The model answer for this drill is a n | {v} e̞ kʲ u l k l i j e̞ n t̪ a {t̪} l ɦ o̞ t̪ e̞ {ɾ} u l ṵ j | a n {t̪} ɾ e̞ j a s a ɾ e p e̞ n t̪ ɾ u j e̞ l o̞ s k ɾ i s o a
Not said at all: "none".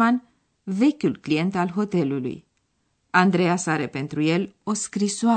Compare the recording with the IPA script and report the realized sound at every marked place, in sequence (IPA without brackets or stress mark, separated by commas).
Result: v, none, l, d̪